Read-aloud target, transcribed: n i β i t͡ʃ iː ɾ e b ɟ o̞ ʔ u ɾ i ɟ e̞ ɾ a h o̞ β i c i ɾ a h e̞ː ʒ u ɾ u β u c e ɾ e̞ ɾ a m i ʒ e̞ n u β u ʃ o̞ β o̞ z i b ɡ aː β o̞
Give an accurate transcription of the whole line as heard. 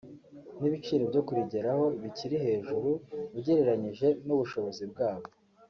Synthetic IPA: n i β i t͡ʃ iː ɾ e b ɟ o̞ k u ɾ i ɟ e̞ ɾ a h o̞ β i c i ɾ i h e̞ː ʒ u ɾ u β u ɟ e ɾ e̞ ɾ a ɲ i ʒ e̞ n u β u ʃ o̞ β o̞ z i b ɡ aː β o̞

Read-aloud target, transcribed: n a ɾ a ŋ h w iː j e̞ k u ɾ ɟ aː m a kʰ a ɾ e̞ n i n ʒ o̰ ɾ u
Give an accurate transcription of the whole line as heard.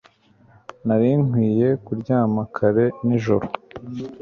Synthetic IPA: n a ɾ i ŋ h w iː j e̞ k u ɾ ɟ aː m a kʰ a ɾ e̞ n i ʒ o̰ ɾ o

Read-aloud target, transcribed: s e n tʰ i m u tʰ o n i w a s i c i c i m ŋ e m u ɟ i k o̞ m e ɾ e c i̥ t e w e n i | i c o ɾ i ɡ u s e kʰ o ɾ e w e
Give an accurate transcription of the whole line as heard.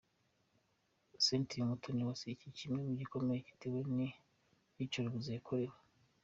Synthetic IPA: s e n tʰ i m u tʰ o n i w a s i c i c i m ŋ e m u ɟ i k o̞ m e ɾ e c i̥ t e w e n i | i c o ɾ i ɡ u z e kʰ o ɾ e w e

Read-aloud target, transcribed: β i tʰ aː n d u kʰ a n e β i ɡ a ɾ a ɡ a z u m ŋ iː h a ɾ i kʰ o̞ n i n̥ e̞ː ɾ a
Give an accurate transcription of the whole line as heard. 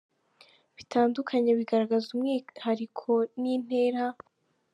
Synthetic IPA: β i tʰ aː n d u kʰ a ɲ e β i ɡ a ɾ a ɡ a z u m ŋ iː h a ɾ i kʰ o̞ n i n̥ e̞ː ɾ a

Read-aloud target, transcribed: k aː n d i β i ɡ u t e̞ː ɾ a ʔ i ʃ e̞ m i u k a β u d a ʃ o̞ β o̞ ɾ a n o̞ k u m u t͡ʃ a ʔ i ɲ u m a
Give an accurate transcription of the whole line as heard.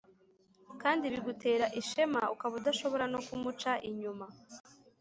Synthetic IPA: k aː n d i β i ɡ u t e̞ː ɾ a ʔ i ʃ e̞ m a u k a β u d a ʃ o̞ β o̞ ɾ a n o̞ k u m u t͡ʃ a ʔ i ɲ u m a

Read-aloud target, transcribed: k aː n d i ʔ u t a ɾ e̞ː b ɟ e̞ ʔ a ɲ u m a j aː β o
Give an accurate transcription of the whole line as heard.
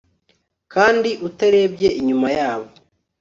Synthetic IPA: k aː n d i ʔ u t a ɾ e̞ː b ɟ e̞ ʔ i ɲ u m a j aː β o

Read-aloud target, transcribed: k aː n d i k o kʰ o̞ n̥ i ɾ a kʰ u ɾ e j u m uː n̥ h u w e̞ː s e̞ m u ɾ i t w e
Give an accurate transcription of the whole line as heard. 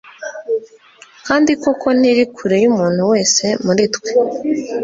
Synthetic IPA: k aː n d i k o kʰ o̞ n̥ i ɾ i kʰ u ɾ e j u m uː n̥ h u w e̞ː s e̞ m u ɾ i t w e

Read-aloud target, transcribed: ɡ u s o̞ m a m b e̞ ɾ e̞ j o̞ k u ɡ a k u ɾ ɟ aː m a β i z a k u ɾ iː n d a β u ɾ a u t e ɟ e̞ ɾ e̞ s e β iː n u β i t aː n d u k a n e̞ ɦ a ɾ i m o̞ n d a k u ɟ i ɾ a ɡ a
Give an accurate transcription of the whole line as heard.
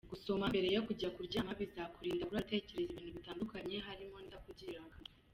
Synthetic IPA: ɡ u s o̞ m a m b e̞ ɾ e̞ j o̞ k u ɟ a k u ɾ ɟ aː m a β i z a k u ɾ iː n d a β u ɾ a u t e c e̞ ɾ e̞ z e β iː n u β i t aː n d u k a ɲ e̞ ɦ a ɾ i m o̞ n d a k u ɟ i ɾ a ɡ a

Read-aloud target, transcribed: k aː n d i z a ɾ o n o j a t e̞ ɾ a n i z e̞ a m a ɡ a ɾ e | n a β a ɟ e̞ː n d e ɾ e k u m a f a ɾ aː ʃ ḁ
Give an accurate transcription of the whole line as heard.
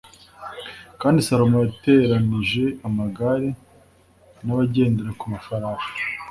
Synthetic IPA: k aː n d i s a ɾ o m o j a t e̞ ɾ a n i ʒ e̞ a m a ɡ a ɾ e | n a β a ɟ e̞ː n d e ɾ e k u m a f a ɾ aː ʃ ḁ

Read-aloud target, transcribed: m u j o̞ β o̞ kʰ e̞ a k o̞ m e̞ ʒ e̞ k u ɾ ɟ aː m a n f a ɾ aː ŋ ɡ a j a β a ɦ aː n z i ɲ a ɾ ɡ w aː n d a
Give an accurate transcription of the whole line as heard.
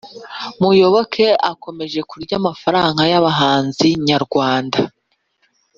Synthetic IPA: m u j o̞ β o̞ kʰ e̞ a k o̞ m e̞ ʒ e̞ k u ɾ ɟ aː m a f a ɾ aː ŋ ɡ a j a β a ɦ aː n z i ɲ a ɾ ɡ w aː n d a

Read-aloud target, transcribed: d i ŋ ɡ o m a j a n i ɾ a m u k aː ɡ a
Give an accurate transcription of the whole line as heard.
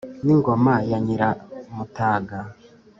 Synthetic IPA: n i ŋ ɡ o m a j a ɲ i ɾ a m u t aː ɡ a

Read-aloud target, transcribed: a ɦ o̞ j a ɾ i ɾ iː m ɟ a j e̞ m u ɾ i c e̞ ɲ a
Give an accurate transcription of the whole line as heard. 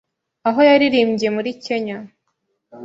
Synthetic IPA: a ɦ o̞ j a ɾ i ɾ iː m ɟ i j e̞ m u ɾ i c e̞ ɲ a

